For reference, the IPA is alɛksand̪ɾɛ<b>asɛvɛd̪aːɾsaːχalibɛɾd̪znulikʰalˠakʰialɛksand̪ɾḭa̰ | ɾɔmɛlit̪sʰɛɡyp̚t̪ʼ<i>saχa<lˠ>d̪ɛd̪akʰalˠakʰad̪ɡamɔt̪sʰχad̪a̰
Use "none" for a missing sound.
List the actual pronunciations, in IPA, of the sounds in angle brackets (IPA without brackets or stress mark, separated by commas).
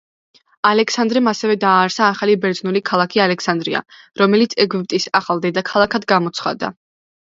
m, i, lˠ